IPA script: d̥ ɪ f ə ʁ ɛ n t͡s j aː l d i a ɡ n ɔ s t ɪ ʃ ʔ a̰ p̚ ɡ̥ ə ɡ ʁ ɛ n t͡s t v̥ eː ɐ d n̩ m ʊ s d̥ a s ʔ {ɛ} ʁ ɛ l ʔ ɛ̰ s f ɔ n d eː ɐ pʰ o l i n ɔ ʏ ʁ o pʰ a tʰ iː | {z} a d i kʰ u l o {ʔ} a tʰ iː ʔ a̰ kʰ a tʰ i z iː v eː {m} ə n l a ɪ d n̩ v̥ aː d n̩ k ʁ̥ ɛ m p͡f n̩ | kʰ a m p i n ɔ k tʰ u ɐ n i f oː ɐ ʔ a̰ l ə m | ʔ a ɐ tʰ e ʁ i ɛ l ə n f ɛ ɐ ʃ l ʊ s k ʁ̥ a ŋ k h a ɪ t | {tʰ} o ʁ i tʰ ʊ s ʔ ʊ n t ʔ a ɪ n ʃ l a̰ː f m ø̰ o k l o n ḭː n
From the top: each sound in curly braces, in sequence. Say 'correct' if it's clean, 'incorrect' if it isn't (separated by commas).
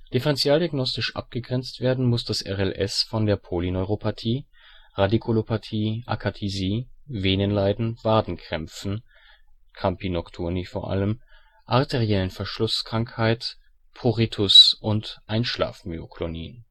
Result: correct, incorrect, incorrect, incorrect, incorrect